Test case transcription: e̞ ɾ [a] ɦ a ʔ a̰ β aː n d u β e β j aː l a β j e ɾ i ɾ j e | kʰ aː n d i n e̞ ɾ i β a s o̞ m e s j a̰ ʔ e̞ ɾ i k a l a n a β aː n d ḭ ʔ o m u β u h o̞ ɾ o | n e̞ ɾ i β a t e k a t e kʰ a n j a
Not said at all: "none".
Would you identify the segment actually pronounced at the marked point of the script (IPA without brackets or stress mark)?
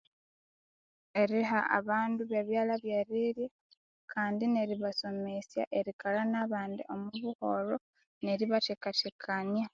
i